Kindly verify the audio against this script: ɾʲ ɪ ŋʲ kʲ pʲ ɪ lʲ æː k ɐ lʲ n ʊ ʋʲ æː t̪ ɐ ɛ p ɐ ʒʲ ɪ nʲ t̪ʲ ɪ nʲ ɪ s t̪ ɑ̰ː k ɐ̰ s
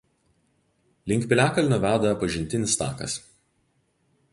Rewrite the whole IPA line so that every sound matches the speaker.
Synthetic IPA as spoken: lʲ ɪ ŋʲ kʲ pʲ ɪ lʲ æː k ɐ lʲ n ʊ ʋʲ æː d̪ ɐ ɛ p ɐ ʒʲ ɪ nʲ t̪ʲ ɪ nʲ ɪ s t̪ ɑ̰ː k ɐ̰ s

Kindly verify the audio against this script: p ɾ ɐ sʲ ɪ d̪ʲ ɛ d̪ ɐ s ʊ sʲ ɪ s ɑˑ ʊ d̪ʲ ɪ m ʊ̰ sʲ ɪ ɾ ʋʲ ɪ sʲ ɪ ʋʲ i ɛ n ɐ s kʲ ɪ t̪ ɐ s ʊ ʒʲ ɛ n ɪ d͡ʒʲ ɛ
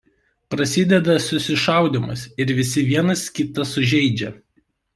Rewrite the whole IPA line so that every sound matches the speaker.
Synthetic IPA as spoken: p ɾ ɐ sʲ ɪ d̪ʲ ɛ d̪ ɐ s ʊ sʲ ɪ ʃ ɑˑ ʊ d̪ʲ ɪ m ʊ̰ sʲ ɪ ɾ ʋʲ ɪ sʲ ɪ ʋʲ i ɛ n ɐ s kʲ ɪ t̪ ɐ s ʊ ʒʲ ɛ ɪ d͡ʒʲ ɛ

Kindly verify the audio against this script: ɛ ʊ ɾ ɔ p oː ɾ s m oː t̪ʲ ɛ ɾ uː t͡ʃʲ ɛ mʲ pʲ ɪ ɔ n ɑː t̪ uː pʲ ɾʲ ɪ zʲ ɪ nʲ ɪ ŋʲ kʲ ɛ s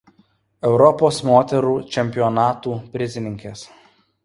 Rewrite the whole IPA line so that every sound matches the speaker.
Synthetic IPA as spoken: ɛ ʊ ɾ ɔ p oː s m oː t̪ʲ ɛ ɾ uː t͡ʃʲ ɛ mʲ pʲ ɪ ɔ n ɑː t̪ uː pʲ ɾʲ ɪ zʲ ɪ nʲ ɪ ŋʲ kʲ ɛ s

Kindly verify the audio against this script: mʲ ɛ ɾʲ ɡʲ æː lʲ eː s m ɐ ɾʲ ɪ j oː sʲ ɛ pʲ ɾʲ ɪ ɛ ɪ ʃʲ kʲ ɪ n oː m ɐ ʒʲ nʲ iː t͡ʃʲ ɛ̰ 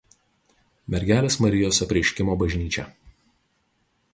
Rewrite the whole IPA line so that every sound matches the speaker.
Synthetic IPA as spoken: mʲ ɛ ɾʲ ɡʲ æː lʲ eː s m ɐ ɾʲ ɪ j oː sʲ ɛ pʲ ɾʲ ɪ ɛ ɪ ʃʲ kʲ ɪ m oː b ɐ ʒʲ nʲ iː t͡ʃʲ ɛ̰

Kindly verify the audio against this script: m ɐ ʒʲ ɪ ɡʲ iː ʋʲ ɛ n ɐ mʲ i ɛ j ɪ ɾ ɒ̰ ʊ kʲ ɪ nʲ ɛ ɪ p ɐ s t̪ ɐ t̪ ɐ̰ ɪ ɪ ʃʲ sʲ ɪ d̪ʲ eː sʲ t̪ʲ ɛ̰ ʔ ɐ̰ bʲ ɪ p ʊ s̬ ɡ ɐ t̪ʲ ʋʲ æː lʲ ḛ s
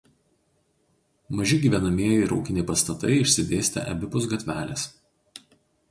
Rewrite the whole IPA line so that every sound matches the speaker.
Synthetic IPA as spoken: m ɐ ʒʲ ɪ ɡʲ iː ʋʲ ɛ n ɐ mʲ i ɛ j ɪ ɾ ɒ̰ ʊ kʲ ɪ nʲ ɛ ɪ p ɐ s t̪ ɐ t̪ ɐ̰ ɪ ɪ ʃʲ sʲ ɪ d̪ʲ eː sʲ t̪ʲ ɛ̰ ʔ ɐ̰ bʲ ɪ p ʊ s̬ ɡ ɐ t̪ʲ ʋʲ æː lʲ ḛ s

